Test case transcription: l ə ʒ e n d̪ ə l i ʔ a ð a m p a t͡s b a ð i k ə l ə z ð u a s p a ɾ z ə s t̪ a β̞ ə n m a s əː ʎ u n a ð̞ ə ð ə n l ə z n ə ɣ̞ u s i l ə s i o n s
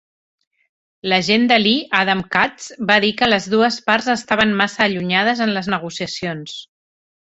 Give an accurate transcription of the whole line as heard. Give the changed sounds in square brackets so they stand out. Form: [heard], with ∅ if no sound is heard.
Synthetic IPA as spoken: l ə ʒ e n d̪ ə l i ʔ a ð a m [k] a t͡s b a ð i k ə l ə z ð u [ə] s p a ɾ z ə s t̪ a β̞ ə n m a s əː ʎ u [ɲ] a ð̞ ə [z] ə n l ə z n ə ɣ̞ u s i [∅] ə s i o n s

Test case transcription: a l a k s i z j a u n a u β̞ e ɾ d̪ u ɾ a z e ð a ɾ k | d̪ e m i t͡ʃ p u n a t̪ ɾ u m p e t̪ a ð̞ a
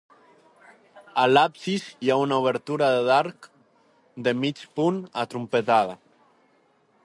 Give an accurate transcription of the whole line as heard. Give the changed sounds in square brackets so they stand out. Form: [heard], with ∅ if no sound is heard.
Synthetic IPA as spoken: a l a [p] s i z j a u n a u β̞ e ɾ [t̪] u ɾ a [ð] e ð a ɾ k | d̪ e m i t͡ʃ p u n a t̪ ɾ u m p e t̪ a ð̞ a

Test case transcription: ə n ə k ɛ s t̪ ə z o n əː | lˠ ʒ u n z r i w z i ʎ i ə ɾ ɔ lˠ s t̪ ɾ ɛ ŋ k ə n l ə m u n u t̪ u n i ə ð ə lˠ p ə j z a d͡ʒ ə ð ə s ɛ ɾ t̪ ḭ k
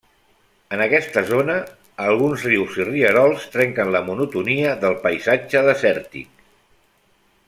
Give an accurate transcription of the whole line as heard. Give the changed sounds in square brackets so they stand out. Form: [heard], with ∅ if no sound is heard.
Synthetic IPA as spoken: ə n ə k ɛ s t̪ ə z o n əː | lˠ [ɣ] u n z r i w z i [r] i ə ɾ ɔ lˠ s t̪ ɾ ɛ ŋ k ə n l ə m u n u t̪ u n i ə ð ə lˠ p ə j z a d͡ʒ ə ð ə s ɛ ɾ t̪ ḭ k

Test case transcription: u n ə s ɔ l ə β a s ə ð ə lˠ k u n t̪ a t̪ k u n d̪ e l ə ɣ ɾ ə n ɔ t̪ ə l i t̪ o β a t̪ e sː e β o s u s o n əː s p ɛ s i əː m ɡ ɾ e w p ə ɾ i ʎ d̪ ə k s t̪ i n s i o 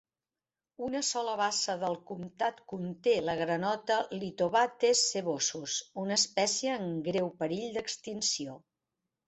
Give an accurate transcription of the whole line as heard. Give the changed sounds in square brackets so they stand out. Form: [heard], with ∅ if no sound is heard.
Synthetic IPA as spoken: u n ə s ɔ l ə β a s ə ð ə lˠ k u [m] t̪ a t̪ k u n [t̪] e l ə ɣ ɾ ə n ɔ t̪ ə l i t̪ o β a t̪ e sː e β o s u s [u] n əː s p ɛ s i əː [ŋ] ɡ ɾ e w p ə ɾ i ʎ d̪ ə k s t̪ i n s i o

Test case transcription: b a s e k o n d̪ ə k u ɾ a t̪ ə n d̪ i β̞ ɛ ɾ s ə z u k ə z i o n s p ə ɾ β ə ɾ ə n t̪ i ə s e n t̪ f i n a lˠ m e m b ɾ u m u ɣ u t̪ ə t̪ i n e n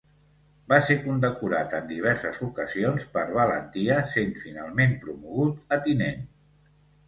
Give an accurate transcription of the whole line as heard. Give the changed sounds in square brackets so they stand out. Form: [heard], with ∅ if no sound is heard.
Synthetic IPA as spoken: b a s e k [u] n d̪ ə k u ɾ a t̪ ə n d̪ i β̞ ɛ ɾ s ə z u k ə z i o n s p ə ɾ β ə [l] ə n t̪ i ə s e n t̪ f i n a lˠ m e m [p] ɾ u m u ɣ u t̪ ə t̪ i n e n

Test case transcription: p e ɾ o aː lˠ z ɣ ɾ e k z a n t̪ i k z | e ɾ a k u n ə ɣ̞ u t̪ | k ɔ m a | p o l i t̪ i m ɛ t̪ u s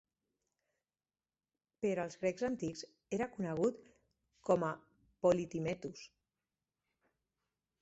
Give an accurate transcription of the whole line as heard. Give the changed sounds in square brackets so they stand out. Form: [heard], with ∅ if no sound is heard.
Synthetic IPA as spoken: p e ɾ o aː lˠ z ɣ ɾ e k z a n t̪ i k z | e ɾ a k u n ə ɣ̞ u t̪ | k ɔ m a | p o l i t̪ i m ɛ t̪ u s

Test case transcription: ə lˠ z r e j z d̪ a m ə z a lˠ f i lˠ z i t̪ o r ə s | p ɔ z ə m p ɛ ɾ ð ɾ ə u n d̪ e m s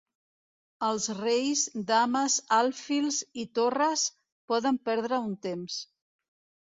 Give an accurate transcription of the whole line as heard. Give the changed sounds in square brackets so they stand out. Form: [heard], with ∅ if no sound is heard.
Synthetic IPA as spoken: ə lˠ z r e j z d̪ a m ə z a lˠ f i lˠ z i t̪ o r ə s | p ɔ [ð] ə m p ɛ ɾ ð ɾ ə u n [t̪] e m s

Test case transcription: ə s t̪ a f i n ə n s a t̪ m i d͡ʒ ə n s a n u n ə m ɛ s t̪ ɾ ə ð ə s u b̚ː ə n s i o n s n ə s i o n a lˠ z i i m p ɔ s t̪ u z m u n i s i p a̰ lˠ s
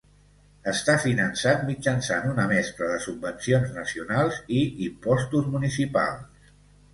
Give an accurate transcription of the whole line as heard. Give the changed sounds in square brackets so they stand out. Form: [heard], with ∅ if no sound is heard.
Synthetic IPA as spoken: ə s t̪ a f i n ə n s a t̪ m i d͡ʒ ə n s a n u n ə m ɛ s t̪ ɾ ə ð ə s u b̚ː ə n s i o n [z] n ə s i [u] n a lˠ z i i m p ɔ s t̪ u z m u n i s i p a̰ lˠ s

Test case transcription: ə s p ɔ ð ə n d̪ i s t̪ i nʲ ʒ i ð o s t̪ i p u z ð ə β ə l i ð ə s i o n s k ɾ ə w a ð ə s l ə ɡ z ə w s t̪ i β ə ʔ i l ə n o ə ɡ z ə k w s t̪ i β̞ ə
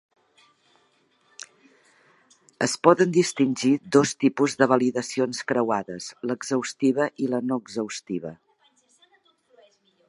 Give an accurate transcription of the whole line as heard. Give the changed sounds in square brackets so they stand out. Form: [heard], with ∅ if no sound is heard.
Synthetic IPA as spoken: ə s p ɔ ð ə n d̪ i s t̪ i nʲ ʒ i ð o s t̪ i p u z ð ə β ə l i ð ə s i o n s k ɾ ə w a ð ə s l ə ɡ z ə w s t̪ i β ə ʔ i l ə n o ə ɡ z ə [∅] w s t̪ i β̞ ə

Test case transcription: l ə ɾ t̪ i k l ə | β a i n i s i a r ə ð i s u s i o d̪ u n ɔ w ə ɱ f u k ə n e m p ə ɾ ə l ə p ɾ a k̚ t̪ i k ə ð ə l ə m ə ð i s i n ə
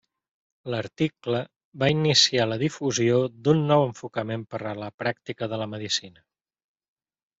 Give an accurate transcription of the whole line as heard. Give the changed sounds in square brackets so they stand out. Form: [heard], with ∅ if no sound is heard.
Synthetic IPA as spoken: l ə ɾ t̪ i k l ə | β a i n i s i a [l] ə ð i [f] u [z] i o d̪ u [nː] ɔ w ə ɱ f u k ə [m] e m p ə ɾ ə l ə p ɾ a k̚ t̪ i k ə ð ə l ə m ə ð i s i n ə

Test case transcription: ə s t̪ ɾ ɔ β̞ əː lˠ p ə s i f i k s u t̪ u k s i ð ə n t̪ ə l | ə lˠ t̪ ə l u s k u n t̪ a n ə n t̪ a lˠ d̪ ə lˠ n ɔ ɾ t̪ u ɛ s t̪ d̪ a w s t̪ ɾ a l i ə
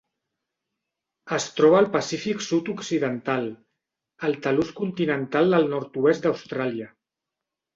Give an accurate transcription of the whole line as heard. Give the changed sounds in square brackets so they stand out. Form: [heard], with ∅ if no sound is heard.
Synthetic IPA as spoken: ə s t̪ ɾ ɔ β̞ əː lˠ p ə s i f i k s u t̪ u k s i ð ə n t̪ [a] l | ə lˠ t̪ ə l u s k u n t̪ [i] n ə n t̪ a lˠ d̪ ə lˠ n ɔ ɾ t̪ u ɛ s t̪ d̪ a w s t̪ ɾ a l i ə

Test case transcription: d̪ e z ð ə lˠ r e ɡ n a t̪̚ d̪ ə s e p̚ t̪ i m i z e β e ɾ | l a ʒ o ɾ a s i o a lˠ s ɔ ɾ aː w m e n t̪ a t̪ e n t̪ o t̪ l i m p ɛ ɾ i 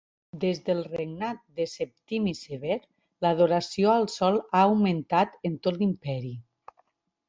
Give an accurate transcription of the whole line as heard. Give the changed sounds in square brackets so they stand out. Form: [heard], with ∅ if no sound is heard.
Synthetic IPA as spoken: d̪ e z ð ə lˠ r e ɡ n a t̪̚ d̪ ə s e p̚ t̪ i m i [s] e β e ɾ | l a [ð] o ɾ a s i o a lˠ s ɔ [l] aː w m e n t̪ a t̪ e n t̪ o t̪ l i m p ɛ ɾ i

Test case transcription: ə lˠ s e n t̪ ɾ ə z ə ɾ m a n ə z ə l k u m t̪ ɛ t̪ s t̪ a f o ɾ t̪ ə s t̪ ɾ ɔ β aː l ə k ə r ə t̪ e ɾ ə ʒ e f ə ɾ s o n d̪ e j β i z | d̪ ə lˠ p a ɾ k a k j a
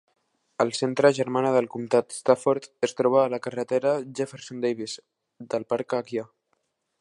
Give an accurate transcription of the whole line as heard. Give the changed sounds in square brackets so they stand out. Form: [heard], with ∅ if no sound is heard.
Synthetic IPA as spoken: ə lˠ s e n t̪ ɾ ə [ʒ] ə ɾ m a n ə [ð] ə l k u m t̪ [a] t̪ s t̪ a f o ɾ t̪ ə s t̪ ɾ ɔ β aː l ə k ə r ə t̪ e ɾ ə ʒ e f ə ɾ s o n d̪ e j β i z | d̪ ə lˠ p a ɾ k a k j a

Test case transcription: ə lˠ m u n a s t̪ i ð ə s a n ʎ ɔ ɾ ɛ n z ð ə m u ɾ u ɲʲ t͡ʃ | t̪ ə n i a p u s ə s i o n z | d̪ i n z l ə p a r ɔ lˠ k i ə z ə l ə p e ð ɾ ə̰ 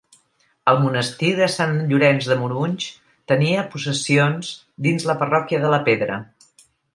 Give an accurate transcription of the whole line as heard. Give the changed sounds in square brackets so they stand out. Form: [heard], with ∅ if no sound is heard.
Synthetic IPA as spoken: ə lˠ m u n [ə] s t̪ i ð ə s a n ʎ [u] ɾ ɛ n z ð ə m u ɾ u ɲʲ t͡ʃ | t̪ ə n i [ə] p u s ə s i o n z | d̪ i n z l ə p [ə] r ɔ [∅] k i ə [ð] ə l ə p e ð ɾ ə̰

